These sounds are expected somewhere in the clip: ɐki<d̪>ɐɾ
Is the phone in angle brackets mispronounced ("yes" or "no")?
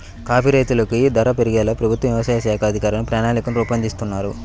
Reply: no